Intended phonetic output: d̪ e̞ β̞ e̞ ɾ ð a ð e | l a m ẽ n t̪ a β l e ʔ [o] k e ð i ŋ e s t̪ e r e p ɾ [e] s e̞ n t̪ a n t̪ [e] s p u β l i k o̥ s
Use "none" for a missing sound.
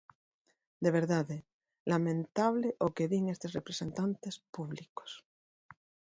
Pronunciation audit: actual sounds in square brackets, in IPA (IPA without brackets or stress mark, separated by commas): o, e, e